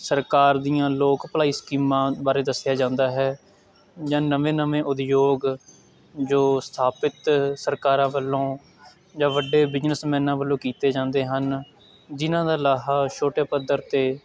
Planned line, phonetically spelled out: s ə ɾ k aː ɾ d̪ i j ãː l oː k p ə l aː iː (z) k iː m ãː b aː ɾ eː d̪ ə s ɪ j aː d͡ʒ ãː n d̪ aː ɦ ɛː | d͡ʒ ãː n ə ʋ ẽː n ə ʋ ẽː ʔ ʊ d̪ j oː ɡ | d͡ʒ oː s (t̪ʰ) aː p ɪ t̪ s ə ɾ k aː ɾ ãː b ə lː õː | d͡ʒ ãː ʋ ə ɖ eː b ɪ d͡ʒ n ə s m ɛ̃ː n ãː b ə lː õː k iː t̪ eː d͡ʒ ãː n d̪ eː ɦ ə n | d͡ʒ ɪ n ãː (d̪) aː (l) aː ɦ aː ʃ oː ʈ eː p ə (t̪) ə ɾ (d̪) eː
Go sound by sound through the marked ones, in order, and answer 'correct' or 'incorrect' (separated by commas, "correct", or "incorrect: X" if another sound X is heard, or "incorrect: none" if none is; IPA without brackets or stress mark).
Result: incorrect: s, correct, correct, correct, incorrect: d̪, incorrect: t̪